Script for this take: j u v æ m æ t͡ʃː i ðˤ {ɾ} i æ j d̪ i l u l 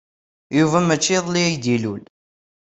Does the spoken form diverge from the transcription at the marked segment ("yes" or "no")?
yes